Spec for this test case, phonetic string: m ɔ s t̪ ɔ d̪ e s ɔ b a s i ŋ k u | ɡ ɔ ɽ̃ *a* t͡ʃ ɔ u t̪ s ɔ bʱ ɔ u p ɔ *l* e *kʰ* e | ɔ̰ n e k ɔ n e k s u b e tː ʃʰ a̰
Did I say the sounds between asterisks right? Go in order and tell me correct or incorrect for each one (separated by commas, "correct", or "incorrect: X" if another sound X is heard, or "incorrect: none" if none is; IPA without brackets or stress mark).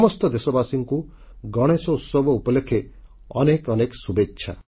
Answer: incorrect: e, correct, correct